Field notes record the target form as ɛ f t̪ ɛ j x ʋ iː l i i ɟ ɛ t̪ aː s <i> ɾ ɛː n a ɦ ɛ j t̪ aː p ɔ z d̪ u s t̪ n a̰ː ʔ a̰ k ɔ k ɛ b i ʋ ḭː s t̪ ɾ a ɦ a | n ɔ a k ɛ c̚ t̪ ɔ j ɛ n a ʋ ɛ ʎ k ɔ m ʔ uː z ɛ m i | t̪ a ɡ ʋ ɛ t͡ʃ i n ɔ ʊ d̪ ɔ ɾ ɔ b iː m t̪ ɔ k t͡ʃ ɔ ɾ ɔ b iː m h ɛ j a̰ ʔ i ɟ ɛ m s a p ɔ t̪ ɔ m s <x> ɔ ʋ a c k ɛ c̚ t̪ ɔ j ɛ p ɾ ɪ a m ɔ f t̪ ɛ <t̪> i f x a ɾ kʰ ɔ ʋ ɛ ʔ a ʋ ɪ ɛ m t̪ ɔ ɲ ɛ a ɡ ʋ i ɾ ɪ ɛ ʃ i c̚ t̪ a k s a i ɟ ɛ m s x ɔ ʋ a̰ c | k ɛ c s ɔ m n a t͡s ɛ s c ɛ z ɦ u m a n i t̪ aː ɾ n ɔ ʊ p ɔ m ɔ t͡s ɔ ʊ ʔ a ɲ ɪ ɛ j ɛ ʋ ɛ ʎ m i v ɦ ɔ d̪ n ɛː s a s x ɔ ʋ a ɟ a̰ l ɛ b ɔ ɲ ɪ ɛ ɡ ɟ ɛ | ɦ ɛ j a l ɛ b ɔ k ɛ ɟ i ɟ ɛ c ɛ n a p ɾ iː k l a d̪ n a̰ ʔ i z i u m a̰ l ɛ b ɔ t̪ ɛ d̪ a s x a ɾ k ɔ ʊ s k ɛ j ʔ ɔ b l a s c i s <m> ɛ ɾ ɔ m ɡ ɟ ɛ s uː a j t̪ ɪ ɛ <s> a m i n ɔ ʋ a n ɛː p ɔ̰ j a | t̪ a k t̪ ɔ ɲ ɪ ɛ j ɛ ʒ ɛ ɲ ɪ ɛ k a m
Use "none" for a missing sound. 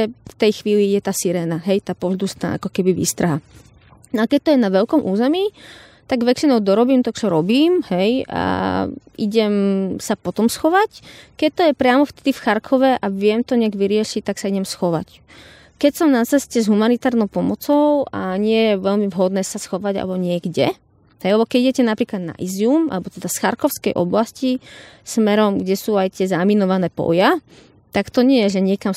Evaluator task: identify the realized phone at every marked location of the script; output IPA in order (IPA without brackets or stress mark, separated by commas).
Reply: i, x, d̪, m, z